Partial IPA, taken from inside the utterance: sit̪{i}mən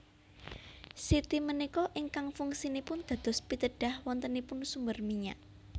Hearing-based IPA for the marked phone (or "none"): i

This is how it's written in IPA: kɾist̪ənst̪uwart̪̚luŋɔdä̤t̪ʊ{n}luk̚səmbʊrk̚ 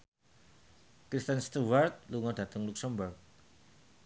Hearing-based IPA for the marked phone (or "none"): ŋ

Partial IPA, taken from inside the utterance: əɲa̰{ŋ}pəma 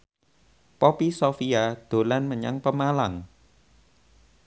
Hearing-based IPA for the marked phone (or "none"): ŋ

